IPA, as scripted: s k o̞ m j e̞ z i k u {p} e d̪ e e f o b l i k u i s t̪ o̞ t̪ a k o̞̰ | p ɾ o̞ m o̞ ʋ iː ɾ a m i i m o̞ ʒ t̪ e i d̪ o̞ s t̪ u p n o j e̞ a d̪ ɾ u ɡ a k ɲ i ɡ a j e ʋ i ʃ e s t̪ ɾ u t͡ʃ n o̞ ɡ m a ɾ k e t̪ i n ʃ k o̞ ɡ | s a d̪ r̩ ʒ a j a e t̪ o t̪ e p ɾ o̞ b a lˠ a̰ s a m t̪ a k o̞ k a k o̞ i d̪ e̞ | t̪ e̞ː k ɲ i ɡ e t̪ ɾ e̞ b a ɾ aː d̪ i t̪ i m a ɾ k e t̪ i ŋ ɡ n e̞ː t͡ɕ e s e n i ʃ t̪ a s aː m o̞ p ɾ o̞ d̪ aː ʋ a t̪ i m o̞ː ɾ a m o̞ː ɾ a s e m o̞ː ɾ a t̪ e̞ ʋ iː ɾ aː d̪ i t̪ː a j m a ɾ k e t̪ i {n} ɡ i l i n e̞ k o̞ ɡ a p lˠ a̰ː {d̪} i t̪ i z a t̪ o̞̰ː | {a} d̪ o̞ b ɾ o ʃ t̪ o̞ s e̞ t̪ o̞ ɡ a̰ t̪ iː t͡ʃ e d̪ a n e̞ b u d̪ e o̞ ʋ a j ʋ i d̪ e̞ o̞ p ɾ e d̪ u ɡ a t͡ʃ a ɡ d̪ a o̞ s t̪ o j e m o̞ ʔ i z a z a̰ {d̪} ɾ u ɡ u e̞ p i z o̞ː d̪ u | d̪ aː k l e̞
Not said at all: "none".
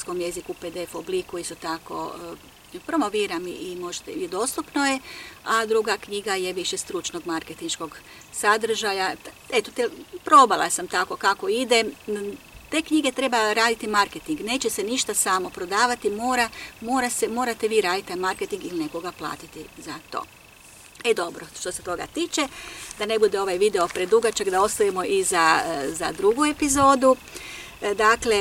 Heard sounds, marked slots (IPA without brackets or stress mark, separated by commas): p, ŋ, t̪, e, d̪